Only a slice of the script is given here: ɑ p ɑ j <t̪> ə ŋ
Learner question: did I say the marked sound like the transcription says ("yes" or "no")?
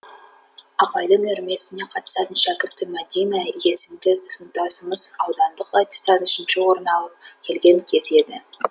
no